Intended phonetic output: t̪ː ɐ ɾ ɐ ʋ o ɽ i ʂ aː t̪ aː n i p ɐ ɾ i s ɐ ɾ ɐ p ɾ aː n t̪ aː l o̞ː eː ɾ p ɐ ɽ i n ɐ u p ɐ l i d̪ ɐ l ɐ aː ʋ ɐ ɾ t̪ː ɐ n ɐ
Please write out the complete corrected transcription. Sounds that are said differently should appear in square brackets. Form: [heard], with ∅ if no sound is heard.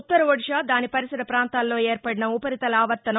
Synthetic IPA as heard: t̪ː ɐ ɾ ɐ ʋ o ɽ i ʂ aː [d̪] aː n i p ɐ ɾ i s ɐ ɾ ɐ p ɾ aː n t̪ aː [lː] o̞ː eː ɾ p ɐ ɽ i n ɐ u p ɐ [ɾ] i [t̪] ɐ l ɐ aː ʋ ɐ ɾ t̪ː ɐ n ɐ